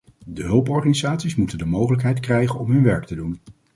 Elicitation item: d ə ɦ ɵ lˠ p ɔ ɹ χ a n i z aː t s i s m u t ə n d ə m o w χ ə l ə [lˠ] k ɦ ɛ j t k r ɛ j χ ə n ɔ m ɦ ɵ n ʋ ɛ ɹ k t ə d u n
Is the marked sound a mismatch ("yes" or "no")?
yes